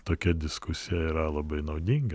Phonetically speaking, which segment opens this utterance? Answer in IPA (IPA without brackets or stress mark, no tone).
t̪